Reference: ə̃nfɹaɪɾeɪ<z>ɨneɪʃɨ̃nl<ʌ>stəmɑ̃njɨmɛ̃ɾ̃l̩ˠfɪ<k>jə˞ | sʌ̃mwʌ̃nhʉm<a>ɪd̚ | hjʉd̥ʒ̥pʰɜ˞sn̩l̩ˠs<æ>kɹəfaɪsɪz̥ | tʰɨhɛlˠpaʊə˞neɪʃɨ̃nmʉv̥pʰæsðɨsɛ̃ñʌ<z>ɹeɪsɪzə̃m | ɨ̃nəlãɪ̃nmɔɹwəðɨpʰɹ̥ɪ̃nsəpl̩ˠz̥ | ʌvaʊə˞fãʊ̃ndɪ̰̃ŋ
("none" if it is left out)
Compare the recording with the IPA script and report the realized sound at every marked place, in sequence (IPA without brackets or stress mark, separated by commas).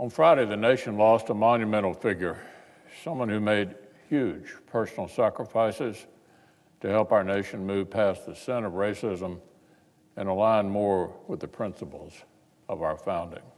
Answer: ð, ɔ, ɡ, e, æ, v